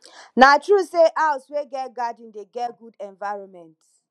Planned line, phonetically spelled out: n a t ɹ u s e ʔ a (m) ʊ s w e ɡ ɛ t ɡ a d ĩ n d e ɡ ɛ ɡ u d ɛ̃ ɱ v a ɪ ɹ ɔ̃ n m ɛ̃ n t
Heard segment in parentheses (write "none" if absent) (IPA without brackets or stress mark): none